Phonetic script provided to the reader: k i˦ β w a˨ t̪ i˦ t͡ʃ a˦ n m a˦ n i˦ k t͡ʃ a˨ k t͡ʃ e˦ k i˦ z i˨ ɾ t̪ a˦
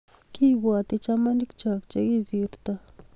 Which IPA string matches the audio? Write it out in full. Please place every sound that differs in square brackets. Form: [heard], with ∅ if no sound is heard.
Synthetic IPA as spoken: k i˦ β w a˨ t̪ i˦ t͡ʃ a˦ [∅] m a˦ n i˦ k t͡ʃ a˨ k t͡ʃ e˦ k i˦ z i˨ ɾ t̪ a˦